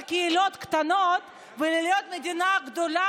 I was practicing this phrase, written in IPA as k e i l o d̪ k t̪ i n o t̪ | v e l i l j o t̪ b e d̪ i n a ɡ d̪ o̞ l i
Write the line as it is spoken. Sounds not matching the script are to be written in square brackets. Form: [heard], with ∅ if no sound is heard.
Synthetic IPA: k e i l o [t̪] k t̪ [a] n o t̪ | v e l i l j o t̪ [m] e d̪ i n a ɡ d̪ o̞ l [a]